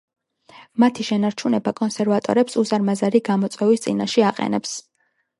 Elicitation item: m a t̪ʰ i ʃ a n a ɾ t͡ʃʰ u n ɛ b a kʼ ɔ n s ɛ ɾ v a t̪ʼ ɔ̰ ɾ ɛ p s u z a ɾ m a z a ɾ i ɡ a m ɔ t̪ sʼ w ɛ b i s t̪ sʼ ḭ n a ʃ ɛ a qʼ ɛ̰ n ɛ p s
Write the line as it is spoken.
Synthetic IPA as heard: m a t̪ʰ i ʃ ɛ n a ɾ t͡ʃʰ u n ɛ b a kʼ ɔ n s ɛ ɾ v a t̪ʼ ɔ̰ ɾ ɛ p s u z a ɾ m a z a ɾ i ɡ a m ɔ t̪ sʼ w ɛ v i s t̪ sʼ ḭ n a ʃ ɛ a qʼ ɛ̰ n ɛ p s